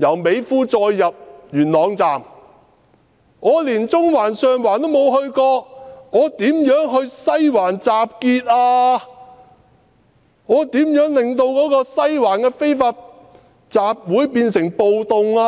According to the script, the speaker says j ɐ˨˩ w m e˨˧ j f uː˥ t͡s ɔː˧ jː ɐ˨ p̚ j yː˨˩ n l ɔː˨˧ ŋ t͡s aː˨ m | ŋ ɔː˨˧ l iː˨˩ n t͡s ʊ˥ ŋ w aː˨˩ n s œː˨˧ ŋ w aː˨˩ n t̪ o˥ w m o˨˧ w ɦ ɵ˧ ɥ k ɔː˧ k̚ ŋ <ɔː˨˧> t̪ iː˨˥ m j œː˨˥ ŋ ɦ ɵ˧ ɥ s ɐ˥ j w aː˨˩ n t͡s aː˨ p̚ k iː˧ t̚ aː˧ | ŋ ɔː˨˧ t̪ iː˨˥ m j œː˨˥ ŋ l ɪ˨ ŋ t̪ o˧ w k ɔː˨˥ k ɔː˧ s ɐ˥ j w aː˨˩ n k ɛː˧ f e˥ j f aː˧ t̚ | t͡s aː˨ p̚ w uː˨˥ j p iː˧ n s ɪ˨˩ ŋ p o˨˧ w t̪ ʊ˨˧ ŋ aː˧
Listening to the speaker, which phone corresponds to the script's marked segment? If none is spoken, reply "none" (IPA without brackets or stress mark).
ɔː˨˧